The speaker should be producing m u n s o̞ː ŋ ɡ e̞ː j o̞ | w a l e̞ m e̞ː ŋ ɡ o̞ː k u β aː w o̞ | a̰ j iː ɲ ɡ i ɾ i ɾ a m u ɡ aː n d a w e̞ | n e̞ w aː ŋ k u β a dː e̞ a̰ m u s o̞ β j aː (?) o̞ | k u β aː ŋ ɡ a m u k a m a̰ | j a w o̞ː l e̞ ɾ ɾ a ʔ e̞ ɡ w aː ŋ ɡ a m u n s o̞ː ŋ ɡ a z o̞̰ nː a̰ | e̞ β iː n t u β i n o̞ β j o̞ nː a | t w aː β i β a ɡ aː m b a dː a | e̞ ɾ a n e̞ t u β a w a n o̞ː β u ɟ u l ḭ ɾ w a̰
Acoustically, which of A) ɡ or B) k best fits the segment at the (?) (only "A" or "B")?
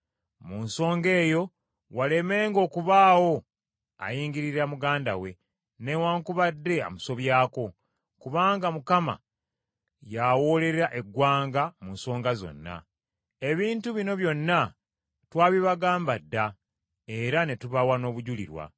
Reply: B